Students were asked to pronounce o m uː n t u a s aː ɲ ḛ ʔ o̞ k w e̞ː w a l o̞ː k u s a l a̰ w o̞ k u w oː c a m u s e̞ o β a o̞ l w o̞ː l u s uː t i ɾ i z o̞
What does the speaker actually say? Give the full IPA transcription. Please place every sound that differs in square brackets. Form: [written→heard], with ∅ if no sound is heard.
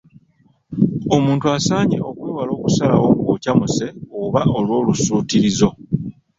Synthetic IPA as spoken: o m uː n t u a s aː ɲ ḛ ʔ o̞ k w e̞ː w a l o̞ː k u s a l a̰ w o̞ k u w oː c a m u s e̞ o β a o̞ l w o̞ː l u s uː t i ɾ i z o̞

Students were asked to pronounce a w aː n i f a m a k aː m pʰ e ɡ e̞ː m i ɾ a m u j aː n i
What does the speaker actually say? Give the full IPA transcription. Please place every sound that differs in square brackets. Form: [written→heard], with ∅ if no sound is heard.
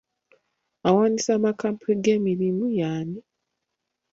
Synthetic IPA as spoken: a w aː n i [f→s] a m a k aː m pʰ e ɡ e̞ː m i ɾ [a→i] m u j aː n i

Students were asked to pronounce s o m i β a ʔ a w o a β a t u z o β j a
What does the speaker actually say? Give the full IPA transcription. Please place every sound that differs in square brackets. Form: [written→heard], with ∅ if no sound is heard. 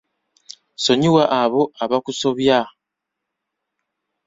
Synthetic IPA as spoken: s o [m→ɲ] i [β→w] a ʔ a [w→β] o a β a [t→k] u [z→s] o β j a

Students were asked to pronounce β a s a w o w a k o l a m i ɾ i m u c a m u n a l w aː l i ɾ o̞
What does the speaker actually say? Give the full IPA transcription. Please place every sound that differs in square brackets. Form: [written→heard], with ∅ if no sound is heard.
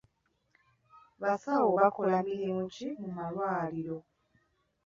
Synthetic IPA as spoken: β a s a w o [w→β] a k o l a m i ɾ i m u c [a→i] m u [n→m] a l w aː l i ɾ o̞

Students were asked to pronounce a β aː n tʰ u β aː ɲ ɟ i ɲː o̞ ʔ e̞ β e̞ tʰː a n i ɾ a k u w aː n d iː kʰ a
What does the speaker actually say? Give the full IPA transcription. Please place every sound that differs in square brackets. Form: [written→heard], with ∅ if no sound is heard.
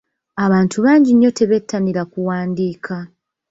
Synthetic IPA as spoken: a β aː n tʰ u β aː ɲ ɟ i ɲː o̞ [ʔ→t] e̞ β e̞ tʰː a n i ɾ a k u w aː n d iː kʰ a

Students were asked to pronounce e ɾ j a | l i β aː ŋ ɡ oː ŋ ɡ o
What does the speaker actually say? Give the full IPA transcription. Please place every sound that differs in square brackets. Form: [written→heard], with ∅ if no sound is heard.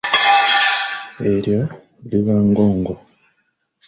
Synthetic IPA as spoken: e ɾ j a | l i β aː ŋ ɡ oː ŋ ɡ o

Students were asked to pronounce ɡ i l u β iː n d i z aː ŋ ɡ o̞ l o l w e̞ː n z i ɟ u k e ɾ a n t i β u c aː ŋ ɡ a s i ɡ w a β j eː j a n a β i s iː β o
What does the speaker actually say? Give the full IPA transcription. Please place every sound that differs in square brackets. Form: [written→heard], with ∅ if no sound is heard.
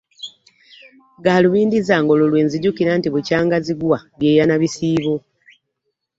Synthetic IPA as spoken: ɡ [i→a] l u β iː n d i z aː ŋ ɡ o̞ l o l w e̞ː n z i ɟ u k [e→i] ɾ a n t i β u c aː ŋ ɡ a [s→z] i ɡ w a β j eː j a n a β i s iː β o

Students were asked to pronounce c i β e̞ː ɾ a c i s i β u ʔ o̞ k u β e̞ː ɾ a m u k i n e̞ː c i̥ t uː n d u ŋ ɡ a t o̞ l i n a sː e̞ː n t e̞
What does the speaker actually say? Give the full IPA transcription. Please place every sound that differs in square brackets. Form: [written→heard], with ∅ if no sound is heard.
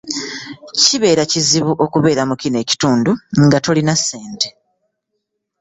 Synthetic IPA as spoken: c i β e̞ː ɾ a c i [s→z] i β u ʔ o̞ k u β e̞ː ɾ a m u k i n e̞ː c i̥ t uː n d u ŋ ɡ a t o̞ l i n a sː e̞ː n t e̞

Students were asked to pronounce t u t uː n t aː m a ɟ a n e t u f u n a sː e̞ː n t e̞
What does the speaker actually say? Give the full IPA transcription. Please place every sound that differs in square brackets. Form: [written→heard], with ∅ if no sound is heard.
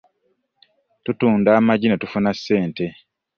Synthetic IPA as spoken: t u t uː n [t→d] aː m a ɟ [a→i] n e t u f u n a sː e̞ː n t e̞

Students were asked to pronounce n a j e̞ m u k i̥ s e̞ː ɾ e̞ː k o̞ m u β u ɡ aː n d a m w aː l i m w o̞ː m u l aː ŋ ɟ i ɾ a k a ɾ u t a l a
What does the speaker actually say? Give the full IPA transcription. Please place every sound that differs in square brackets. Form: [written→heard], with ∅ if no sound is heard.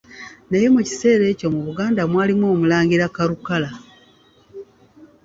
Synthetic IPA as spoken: n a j e̞ m u [k→c] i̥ s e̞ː ɾ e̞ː [k→c] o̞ m u β u ɡ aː n d a m w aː l i m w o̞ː m u l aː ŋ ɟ i ɾ a k a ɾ u [t→k] a l a

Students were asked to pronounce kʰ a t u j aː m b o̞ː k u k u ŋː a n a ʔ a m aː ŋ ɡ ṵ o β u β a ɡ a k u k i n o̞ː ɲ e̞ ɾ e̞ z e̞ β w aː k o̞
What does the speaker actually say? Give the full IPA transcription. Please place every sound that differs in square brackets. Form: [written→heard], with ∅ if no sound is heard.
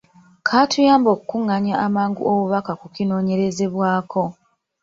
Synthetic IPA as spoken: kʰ a t u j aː m b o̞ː k u k u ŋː a [n→ɲ] a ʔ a m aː ŋ ɡ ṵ o β u β a [ɡ→k] a k u k i n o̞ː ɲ e̞ ɾ e̞ z e̞ β w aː k o̞

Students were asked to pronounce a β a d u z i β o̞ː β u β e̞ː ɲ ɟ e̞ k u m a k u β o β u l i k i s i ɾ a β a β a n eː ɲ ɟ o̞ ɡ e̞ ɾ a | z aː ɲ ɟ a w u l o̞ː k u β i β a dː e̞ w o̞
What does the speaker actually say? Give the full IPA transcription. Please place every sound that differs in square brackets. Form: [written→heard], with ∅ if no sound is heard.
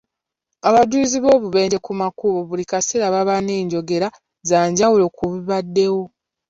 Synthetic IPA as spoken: a β a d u z i β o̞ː β u β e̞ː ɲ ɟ e̞ k u m a k u β o β u l i k [i→a] s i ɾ a β a β a n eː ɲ ɟ o̞ ɡ e̞ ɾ a | z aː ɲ ɟ a w u l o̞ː k u β i β a dː e̞ w o̞

